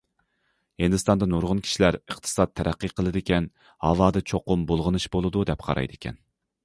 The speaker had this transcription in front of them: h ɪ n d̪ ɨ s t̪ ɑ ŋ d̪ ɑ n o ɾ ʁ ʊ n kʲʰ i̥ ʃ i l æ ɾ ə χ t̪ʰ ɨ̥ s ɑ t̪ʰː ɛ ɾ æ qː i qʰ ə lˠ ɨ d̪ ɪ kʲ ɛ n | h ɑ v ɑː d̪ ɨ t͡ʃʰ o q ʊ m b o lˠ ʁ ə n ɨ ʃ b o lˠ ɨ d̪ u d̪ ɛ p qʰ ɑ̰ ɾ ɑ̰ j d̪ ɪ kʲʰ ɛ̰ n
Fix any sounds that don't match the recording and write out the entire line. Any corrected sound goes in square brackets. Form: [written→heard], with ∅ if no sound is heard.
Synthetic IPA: h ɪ n d̪ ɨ s t̪ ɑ [ŋ→n] d̪ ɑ n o ɾ ʁ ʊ n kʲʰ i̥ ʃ i l æ ɾ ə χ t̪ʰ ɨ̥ s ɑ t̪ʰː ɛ ɾ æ qː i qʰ ə lˠ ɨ d̪ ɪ kʲ ɛ n | h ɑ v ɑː d̪ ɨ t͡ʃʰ o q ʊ m b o lˠ ʁ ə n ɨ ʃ b o lˠ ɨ d̪ u d̪ ɛ p qʰ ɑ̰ ɾ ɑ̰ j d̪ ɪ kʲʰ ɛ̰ n